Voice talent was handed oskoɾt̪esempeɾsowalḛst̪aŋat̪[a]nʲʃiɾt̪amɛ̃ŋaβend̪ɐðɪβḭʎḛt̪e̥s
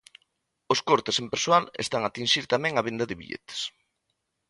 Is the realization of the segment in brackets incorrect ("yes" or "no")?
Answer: yes